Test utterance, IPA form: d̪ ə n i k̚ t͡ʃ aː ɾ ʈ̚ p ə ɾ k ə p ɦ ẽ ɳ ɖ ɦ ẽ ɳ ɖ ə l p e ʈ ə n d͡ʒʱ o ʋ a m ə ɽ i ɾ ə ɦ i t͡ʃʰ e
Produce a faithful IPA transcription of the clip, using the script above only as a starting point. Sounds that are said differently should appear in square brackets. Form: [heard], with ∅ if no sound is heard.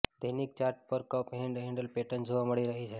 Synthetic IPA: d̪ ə n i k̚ t͡ʃ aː ɾ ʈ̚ p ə ɾ k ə p ɦ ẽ ɳ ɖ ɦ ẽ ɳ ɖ ə l p e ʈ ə n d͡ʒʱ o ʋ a m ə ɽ i ɾ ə ɦ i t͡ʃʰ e